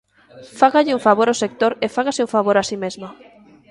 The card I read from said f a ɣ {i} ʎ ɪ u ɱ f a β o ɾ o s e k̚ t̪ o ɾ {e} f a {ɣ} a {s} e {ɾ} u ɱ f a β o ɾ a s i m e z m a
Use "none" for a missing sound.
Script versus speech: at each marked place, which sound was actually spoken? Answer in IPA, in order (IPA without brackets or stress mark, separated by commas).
a, e, ɣ, s, none